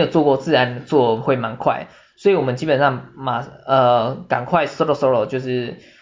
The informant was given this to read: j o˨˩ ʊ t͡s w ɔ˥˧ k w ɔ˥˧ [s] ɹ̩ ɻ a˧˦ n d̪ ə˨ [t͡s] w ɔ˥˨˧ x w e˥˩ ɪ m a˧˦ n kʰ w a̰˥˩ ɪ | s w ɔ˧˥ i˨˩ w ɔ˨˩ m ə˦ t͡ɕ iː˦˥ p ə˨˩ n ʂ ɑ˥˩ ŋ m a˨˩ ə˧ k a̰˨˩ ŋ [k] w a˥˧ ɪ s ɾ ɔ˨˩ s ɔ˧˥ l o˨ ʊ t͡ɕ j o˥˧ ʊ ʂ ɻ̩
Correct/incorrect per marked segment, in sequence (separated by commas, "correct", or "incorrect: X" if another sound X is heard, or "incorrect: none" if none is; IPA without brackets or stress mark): incorrect: t͡s, correct, incorrect: kʰ